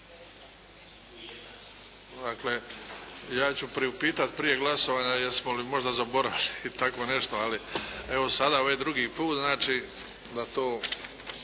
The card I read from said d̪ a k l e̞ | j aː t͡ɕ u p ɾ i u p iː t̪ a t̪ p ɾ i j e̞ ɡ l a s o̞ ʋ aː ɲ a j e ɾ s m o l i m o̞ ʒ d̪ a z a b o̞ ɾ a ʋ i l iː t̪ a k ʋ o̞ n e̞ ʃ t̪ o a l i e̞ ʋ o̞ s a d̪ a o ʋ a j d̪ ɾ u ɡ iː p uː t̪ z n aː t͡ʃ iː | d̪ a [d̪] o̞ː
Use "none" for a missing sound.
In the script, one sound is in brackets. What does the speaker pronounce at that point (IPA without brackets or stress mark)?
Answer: t̪